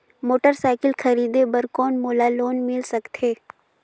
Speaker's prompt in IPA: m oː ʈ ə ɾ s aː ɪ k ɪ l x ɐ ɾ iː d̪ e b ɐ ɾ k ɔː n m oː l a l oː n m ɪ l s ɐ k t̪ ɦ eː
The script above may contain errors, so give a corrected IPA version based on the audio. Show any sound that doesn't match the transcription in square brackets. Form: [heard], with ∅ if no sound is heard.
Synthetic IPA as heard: m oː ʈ ə ɾ s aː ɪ k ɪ l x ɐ ɾ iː d̪ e b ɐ ɾ k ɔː n m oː l a l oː n m ɪ l s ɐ k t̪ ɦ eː